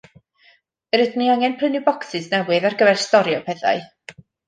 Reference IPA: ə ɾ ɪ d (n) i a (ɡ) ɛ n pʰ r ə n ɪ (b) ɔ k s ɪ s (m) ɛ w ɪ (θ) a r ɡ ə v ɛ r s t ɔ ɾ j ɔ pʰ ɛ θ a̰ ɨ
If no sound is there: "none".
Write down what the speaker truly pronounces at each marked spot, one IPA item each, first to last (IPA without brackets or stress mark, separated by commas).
n, ŋ, b, n, ð